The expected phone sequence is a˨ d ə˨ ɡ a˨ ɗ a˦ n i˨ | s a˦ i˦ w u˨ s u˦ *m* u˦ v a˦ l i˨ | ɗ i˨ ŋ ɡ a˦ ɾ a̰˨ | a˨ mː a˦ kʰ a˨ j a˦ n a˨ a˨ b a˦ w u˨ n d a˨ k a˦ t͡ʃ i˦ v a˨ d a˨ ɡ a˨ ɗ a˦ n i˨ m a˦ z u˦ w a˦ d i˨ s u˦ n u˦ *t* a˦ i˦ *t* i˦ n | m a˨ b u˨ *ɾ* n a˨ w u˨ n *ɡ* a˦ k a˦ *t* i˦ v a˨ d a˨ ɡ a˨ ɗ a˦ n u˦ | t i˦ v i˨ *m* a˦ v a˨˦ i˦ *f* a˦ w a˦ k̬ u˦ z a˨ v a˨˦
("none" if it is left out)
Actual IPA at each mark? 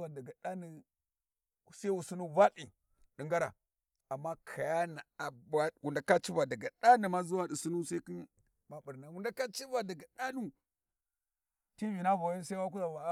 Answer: n, s, k, ɾ, d, t͡ʃ, n, s

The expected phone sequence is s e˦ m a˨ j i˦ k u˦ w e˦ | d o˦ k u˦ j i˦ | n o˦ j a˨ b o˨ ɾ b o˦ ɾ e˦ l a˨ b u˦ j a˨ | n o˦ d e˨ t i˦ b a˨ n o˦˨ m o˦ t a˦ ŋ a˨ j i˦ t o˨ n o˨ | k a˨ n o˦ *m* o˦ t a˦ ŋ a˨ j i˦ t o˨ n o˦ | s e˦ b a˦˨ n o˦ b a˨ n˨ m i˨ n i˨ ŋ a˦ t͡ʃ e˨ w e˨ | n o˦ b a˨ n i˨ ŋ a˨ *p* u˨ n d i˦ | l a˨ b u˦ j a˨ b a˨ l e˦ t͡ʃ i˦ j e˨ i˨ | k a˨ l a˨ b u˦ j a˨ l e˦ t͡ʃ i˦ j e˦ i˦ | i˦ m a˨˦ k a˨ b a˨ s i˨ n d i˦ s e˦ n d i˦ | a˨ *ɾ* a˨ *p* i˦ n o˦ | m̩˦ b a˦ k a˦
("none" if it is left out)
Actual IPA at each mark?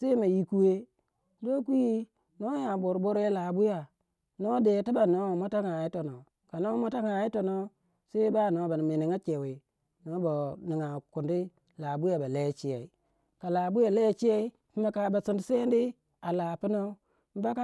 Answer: m, k, l, p

